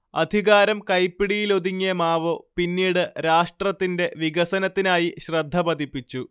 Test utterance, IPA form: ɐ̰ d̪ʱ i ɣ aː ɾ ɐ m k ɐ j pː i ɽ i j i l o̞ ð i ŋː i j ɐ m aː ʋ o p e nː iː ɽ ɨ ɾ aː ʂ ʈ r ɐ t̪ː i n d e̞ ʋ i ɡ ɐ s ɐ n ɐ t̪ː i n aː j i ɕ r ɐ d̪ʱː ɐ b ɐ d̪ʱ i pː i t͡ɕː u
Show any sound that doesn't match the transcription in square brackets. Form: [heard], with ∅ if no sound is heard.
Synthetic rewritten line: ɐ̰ d̪ʱ i ɣ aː ɾ ɐ m k ɐ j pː i ɽ i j i l o̞ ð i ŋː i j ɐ m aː ʋ o p [i] nː iː ɽ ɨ ɾ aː ʂ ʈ r ɐ t̪ː i n d e̞ ʋ i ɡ ɐ s ɐ n ɐ t̪ː i n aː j i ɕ r ɐ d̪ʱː ɐ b ɐ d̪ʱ i pː i t͡ɕː u